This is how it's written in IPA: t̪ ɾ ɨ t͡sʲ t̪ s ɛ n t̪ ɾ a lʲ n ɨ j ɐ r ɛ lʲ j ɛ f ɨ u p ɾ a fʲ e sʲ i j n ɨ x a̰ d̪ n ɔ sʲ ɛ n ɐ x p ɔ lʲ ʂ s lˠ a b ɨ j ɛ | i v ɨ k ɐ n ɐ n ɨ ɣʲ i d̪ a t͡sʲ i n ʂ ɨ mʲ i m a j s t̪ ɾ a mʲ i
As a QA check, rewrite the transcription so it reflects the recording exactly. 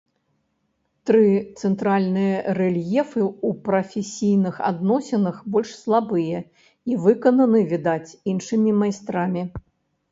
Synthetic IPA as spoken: t̪ ɾ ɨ t̪ s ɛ n t̪ ɾ a lʲ n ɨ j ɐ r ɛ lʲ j ɛ f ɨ u p ɾ ɐ fʲ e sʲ i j n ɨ x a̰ d̪ n ɔ sʲ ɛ n ɐ x b ɔ lʲ ʂ s lˠ a b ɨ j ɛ | i v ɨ k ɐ n ɐ n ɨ vʲ i d̪ a t͡sʲ i n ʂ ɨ mʲ i m a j s t̪ ɾ a mʲ i

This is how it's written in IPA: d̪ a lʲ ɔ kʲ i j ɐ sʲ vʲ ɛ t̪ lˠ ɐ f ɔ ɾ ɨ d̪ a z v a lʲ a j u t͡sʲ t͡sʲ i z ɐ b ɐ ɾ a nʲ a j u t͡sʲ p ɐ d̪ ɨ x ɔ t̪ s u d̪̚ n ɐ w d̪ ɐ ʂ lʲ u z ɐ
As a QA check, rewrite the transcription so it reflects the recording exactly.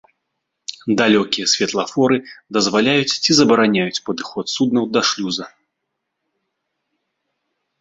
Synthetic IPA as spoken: d̪ a lʲ ɔ kʲ i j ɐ sʲ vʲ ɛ t̪ lˠ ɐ f ɔ ɾ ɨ d̪ ɐ z v a lʲ a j u t͡sʲ t͡sʲ i z ɐ b ɐ ɾ a nʲ a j u t͡sʲ p ɐ d̪ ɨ x ɔ t̪ s u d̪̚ n ɐ w d̪ ɐ ʂ lʲ u z ɐ

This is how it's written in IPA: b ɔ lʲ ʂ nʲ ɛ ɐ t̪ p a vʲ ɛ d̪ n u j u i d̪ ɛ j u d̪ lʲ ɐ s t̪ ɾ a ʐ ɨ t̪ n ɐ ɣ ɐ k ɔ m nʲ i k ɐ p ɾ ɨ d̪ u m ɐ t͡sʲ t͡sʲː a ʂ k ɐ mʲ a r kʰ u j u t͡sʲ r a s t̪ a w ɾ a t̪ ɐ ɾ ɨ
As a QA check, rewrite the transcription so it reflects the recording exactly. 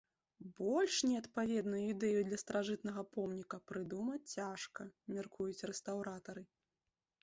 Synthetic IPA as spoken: b ɔ lʲ ʂ nʲ ɛ ɐ t̪ p a vʲ ɛ d̪ n u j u i d̪ ɛ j u d̪ lʲ ɐ s t̪ ɾ a ʐ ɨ t̪ n ɐ ɣ ɐ p ɔ m nʲ i k ɐ p ɾ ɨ d̪ u m ɐ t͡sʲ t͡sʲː a ʂ k ɐ mʲ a r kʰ u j u t͡sʲ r ɛ s t̪ a w ɾ a t̪ ɐ ɾ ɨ

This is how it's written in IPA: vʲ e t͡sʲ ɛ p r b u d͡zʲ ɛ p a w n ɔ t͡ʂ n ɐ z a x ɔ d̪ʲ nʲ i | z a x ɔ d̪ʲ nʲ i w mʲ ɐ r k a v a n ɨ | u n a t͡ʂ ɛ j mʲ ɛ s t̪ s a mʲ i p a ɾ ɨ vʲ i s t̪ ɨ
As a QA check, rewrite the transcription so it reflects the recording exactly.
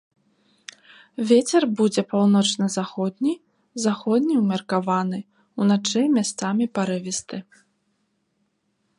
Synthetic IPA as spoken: vʲ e t͡sʲ ɛ r b u d͡zʲ ɛ p a w n ɔ t͡ʂ n ɐ z a x ɔ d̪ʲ nʲ i | z a x ɔ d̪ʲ nʲ i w mʲ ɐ r k a v a n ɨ | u n a t͡ʂ ɛ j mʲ a s t̪ s a mʲ i p a ɾ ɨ vʲ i s t̪ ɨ

